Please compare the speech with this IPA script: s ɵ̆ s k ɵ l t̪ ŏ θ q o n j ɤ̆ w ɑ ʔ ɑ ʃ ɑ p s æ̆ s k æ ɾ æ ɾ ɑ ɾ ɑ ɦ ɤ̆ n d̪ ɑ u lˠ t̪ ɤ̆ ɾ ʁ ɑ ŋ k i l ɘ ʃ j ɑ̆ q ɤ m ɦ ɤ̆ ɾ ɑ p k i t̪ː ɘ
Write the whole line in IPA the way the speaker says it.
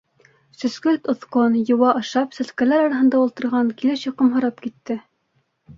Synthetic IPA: s ɵ̆ s k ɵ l t̪ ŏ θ q o n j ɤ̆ w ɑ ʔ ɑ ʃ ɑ p s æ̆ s k æ l æ ɾ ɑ ɾ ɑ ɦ ɤ̆ n d̪ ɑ u lˠ t̪ ɤ̆ ɾ ʁ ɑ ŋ k i l ɘ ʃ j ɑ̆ q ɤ m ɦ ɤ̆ ɾ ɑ p k i t̪ː ɘ

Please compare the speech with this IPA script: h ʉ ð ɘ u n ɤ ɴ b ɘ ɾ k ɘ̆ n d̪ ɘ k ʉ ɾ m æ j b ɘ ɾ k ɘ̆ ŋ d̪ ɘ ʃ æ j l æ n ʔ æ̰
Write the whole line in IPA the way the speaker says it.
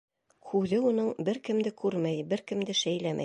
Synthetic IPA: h ʉ ð ɘ u n ɤ ɴ b ɘ ɾ k ɘ̆ m d̪ ɘ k ʉ ɾ m æ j b ɘ ɾ k ɘ̆ m d̪ ɘ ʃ æ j l æ m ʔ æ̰

